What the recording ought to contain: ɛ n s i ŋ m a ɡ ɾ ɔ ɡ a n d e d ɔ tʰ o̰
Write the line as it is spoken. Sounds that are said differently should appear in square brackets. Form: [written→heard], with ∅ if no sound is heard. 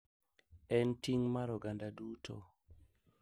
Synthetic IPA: ɛ n [s→t] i ŋ m a [ɡ→∅] ɾ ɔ ɡ a n d [e→a] d [ɔ→u] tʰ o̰